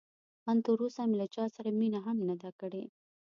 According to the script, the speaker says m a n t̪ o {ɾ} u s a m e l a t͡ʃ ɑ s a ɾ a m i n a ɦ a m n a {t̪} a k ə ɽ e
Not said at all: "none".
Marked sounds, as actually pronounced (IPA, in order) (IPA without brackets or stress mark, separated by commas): ɾ, d̪